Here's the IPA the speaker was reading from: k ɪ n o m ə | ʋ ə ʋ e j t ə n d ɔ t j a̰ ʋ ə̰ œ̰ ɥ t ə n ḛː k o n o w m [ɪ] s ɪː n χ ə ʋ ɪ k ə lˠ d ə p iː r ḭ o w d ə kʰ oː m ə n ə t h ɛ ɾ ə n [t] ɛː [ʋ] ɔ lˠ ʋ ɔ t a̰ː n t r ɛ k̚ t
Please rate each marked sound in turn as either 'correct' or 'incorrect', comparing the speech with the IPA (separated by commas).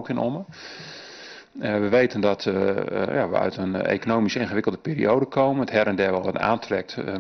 incorrect, incorrect, correct